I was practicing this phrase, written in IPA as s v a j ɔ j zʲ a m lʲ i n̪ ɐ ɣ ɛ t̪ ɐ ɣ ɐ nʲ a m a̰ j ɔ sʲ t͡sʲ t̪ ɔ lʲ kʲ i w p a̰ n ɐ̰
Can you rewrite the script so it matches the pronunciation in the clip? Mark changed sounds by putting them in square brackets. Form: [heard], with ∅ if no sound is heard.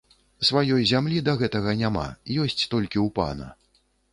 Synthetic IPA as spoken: s v a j ɔ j zʲ a m lʲ i [d̪] ɐ ɣ ɛ t̪ ɐ ɣ ɐ nʲ a m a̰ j ɔ sʲ t͡sʲ t̪ ɔ lʲ kʲ i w p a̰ n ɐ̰

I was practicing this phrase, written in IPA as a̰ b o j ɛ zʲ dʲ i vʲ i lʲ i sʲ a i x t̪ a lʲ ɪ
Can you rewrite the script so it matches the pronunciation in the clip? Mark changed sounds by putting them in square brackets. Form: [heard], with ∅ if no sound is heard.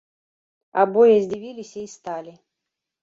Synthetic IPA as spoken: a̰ b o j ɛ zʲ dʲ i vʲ i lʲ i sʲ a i [s] t̪ a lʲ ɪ

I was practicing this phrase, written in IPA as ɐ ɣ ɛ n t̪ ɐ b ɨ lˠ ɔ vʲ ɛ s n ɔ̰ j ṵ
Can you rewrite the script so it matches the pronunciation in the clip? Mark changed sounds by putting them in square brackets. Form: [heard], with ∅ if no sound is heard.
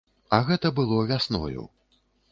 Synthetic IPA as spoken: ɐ ɣ ɛ [∅] t̪ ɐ b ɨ lˠ ɔ vʲ [a] s n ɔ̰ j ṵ

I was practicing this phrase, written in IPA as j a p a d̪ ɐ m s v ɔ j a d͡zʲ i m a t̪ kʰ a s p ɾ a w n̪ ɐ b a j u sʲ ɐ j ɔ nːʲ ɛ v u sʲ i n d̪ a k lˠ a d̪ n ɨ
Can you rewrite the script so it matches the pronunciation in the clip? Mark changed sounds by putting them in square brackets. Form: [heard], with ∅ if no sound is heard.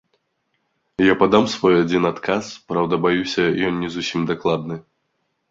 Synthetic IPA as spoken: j a p a d̪ [a] m s v ɔ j a d͡zʲ i [n] a t̪ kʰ a s p ɾ a w [d̪] ɐ b a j u sʲ ɐ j ɔ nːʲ ɛ [z] u sʲ i [m] d̪ a k lˠ a d̪ n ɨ

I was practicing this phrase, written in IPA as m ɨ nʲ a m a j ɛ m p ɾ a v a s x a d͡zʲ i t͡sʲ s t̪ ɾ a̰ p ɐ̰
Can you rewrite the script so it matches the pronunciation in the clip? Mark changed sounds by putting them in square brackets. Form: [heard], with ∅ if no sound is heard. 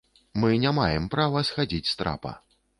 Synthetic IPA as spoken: m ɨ nʲ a m a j ɛ m p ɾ a v [ɐ] s x a d͡zʲ i t͡sʲ s t̪ ɾ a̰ p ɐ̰

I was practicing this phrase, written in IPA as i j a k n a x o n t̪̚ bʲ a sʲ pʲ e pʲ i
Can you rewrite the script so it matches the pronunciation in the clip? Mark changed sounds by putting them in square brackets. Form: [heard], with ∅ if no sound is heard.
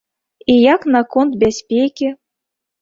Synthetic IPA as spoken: i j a k n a [k] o n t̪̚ bʲ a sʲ pʲ e [kʲ] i

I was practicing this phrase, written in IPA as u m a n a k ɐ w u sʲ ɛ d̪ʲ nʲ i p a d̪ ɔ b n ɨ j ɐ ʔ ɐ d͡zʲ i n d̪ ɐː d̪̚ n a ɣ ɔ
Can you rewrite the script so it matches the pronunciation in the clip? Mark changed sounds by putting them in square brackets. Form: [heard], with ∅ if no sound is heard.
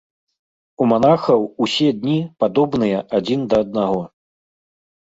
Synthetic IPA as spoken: u m a n a [x] ɐ w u sʲ ɛ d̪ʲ nʲ i p a d̪ ɔ b n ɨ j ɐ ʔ [a] d͡zʲ i n d̪ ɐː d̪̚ n a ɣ ɔ

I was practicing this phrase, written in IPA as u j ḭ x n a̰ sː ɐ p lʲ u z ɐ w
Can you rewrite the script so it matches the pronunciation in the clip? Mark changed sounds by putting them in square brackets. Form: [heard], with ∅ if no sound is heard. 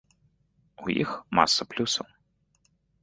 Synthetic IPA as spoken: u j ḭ x [m] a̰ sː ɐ p lʲ u [s] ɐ w

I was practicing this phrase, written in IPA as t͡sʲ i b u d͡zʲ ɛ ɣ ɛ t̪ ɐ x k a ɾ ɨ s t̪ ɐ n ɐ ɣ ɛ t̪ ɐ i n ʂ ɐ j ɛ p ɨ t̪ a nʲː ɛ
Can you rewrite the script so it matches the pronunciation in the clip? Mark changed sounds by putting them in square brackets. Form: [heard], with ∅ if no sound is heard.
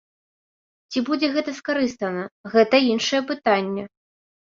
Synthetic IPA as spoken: t͡sʲ i b u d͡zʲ ɛ ɣ ɛ t̪ ɐ [s] k a ɾ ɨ s t̪ ɐ n ɐ ɣ ɛ t̪ ɐ i n ʂ ɐ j ɛ p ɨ t̪ a nʲː ɛ

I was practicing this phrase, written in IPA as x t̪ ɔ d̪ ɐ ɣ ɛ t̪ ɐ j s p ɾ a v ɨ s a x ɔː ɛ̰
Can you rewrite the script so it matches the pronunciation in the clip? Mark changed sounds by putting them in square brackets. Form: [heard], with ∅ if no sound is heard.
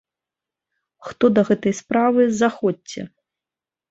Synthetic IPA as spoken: x t̪ ɔ d̪ ɐ ɣ ɛ t̪ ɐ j s p ɾ a v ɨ [z] a x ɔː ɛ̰

